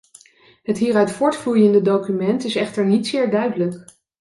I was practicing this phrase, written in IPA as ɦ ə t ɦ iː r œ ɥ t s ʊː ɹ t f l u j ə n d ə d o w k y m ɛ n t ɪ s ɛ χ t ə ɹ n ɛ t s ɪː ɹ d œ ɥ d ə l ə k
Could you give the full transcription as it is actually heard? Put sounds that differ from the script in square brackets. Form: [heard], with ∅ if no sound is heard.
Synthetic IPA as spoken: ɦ ə t ɦ iː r œ ɥ t [f] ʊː ɹ t f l u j ə n d ə d o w k y m ɛ n t ɪ s ɛ χ t ə ɹ n [i] t s ɪː ɹ d œ ɥ d ə l ə k